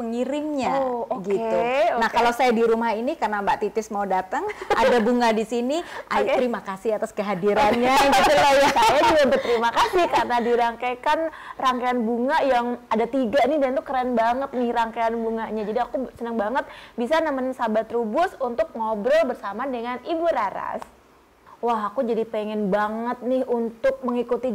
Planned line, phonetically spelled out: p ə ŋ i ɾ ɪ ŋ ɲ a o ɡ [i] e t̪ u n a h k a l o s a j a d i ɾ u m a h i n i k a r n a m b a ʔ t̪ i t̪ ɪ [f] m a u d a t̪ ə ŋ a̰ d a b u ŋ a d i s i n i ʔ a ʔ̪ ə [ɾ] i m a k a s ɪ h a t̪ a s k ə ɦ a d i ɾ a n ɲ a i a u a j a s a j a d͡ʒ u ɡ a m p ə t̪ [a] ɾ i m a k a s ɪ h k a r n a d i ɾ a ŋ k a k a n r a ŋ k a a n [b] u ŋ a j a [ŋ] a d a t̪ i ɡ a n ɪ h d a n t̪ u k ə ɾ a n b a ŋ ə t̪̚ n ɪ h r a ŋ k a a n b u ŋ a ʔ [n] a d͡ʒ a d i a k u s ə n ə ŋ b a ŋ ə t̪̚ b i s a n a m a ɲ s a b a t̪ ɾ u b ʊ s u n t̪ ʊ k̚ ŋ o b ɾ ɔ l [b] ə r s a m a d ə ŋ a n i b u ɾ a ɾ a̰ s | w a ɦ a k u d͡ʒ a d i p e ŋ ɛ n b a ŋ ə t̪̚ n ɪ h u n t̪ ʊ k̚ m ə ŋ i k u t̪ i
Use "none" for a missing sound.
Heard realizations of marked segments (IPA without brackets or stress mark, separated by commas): i, s, ɾ, ə, b, ŋ, ɲ, b